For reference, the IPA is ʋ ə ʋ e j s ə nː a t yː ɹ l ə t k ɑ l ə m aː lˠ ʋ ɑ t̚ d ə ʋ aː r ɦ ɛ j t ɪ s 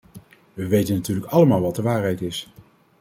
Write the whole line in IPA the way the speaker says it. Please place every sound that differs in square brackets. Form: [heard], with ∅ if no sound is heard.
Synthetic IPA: ʋ ə ʋ e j [t] ə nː a t yː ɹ l ə [∅] k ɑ l ə m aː lˠ ʋ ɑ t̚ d ə ʋ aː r ɦ ɛ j t ɪ s

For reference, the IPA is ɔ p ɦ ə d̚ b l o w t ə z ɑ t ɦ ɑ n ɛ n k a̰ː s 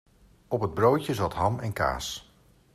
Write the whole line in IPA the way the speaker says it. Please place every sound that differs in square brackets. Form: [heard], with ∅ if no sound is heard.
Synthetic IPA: ɔ p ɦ ə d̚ b [r] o w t ə z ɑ t ɦ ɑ [m] ɛ n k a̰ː s

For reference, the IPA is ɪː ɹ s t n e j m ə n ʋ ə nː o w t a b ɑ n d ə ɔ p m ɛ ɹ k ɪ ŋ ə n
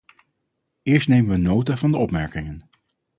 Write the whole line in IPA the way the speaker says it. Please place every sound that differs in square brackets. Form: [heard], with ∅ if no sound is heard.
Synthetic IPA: ɪː ɹ s t n e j m ə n ʋ ə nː o w t a [v] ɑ n d ə ɔ p m ɛ ɹ k ɪ ŋ ə n

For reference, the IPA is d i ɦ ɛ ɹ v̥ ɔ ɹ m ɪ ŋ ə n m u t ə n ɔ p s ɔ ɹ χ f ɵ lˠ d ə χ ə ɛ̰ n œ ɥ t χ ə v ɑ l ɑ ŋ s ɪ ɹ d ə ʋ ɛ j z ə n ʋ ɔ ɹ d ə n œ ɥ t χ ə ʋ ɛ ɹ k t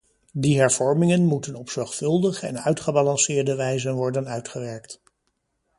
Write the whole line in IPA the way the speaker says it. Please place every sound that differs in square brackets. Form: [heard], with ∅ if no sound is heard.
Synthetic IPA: d i ɦ ɛ ɹ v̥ ɔ ɹ m ɪ ŋ ə n m u t ə n ɔ p s ɔ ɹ χ f ɵ lˠ d ə χ ə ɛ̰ n œ ɥ t χ ə [b] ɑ l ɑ [n] s [ɪː] ɹ d ə ʋ ɛ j z ə n ʋ ɔ ɹ d ə n œ ɥ t χ ə ʋ ɛ ɹ k t

